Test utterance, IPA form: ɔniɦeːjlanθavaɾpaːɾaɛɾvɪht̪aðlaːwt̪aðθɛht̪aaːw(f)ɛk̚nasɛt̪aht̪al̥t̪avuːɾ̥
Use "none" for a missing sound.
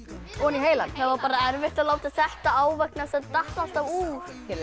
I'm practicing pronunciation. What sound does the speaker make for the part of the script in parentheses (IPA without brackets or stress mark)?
v